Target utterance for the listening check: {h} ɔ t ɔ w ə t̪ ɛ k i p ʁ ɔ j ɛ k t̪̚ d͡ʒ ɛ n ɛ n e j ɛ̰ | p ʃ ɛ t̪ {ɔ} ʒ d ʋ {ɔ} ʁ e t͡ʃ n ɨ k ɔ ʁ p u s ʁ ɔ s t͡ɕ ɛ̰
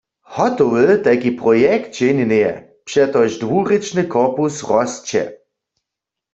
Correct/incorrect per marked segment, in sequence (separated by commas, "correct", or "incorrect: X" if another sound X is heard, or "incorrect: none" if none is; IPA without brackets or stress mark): correct, correct, incorrect: u